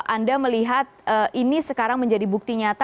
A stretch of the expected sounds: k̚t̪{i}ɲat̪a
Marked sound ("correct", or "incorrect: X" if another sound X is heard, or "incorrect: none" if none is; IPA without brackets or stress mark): correct